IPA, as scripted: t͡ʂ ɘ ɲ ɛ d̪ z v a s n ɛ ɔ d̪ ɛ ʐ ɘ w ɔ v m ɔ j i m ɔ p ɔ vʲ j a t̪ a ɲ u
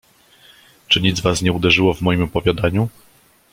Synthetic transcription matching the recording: t͡ʂ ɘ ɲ i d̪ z v a s ɲ ɛ u d̪ ɛ ʐ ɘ w ɔ v m ɔ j i m ɔ p ɔ vʲ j a d̪ a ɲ u

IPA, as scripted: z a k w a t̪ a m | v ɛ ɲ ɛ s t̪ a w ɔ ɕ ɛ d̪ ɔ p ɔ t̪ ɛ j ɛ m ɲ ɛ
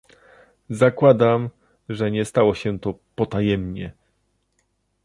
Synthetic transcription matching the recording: z a k w a d̪ a m | ʐ ɛ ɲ ɛ s t̪ a w ɔ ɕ ɛ t̪ ɔ p ɔ t̪ a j ɛ m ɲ ɛ

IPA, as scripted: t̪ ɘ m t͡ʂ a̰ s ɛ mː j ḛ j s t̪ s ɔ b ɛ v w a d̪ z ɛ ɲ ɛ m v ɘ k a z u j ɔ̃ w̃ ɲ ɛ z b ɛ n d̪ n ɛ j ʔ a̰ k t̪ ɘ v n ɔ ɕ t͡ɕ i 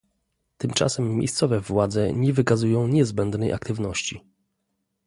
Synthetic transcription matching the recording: t̪ ɘ m t͡ʂ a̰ s ɛ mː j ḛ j s t̪ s ɔ v ɛ v w a d̪ z ɛ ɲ ɛ v ɘ k a z u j ɔ̃ w̃ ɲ ɛ z b ɛ n d̪ n ɛ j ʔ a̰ k t̪ ɘ v n ɔ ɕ t͡ɕ i

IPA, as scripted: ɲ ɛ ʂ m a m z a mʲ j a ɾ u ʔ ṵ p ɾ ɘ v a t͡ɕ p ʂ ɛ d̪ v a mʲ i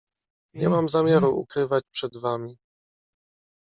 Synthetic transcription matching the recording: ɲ ɛ m a m z a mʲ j a ɾ u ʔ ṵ k ɾ ɘ v a t͡ɕ p ʂ ɛ d̪ v a mʲ i

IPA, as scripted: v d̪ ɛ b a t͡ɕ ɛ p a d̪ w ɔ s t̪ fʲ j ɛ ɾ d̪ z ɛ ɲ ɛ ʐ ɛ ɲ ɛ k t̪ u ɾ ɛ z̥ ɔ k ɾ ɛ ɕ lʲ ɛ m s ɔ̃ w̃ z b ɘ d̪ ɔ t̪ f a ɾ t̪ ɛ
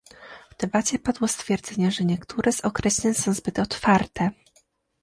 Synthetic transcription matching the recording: v d̪ ɛ b a t͡ɕ ɛ p a d̪ w ɔ s t̪ fʲ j ɛ ɾ d̪ z ɛ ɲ ɛ ʐ ɛ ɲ ɛ k t̪ u ɾ ɛ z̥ ɔ k ɾ ɛ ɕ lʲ ɛ ɲ s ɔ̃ w̃ z b ɘ t̪ ɔ t̪ f a ɾ t̪ ɛ

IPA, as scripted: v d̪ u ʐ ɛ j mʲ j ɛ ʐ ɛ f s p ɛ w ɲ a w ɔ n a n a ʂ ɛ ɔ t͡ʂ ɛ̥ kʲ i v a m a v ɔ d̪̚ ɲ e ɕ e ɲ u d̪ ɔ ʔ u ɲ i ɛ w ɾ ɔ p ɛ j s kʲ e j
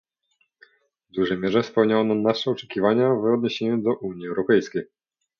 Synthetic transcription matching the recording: v d̪ u ʐ ɛ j mʲ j ɛ ʐ ɛ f s p ɛ w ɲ a w ɔ n a n a ʂ ɛ ɔ t͡ʂ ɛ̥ kʲ i v a ɲ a v ɔ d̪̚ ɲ e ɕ e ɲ u d̪ ɔ ʔ u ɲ i ɛ w ɾ ɔ p ɛ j s kʲ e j

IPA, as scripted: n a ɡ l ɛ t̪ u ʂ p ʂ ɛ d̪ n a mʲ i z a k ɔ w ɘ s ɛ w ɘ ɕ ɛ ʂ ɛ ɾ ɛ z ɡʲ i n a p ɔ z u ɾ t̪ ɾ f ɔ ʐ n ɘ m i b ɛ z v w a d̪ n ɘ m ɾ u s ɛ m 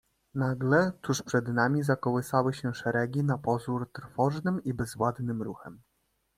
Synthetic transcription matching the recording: n a ɡ l ɛ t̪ u ʂ p ʂ ɛ d̪ n a mʲ i z a k ɔ w ɘ s a w ɘ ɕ ɛ ʂ ɛ ɾ ɛ ɡʲ i n a p ɔ z u ɾ t̪ ɾ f ɔ ʐ n ɘ m i b ɛ z v w a d̪ n ɘ m ɾ u x ɛ m

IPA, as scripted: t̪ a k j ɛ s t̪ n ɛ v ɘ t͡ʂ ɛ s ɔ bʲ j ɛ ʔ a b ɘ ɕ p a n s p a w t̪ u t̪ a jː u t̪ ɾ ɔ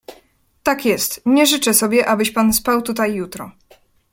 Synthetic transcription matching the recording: t̪ a k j ɛ s t̪ ɲ ɛ ʐ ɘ t͡ʂ ɛ s ɔ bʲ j ɛ ʔ a b ɘ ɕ p a n s p a w t̪ u t̪ a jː u t̪ ɾ ɔ

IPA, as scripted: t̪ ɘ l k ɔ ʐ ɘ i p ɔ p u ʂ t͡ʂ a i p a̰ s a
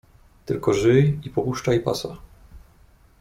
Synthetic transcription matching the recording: t̪ ɘ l k ɔ ʐ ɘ i p ɔ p u ʂ t͡ʂ a i p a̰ s a

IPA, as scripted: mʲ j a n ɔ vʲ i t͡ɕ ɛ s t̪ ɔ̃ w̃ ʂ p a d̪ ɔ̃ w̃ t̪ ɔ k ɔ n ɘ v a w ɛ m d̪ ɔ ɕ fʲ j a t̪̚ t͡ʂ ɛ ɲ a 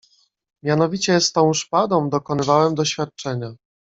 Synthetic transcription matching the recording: mʲ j a n ɔ vʲ i t͡ɕ ɛ s t̪ ɔ̃ w̃ ʂ p a d̪ ɔ̃ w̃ d̪ ɔ k ɔ n ɘ v a w ɛ m d̪ ɔ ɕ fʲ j a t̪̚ t͡ʂ ɛ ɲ a

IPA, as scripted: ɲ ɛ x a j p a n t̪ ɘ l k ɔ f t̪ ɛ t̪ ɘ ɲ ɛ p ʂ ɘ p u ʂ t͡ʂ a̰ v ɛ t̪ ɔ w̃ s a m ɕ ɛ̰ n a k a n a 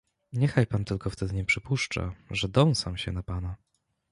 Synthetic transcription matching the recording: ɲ ɛ x a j p a n t̪ ɘ l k ɔ f t̪ ɛ d̪ ɘ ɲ ɛ p ʂ ɘ p u ʂ t͡ʂ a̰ ʐ ɛ d̪ ɔ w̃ s a m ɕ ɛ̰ n a p a n a

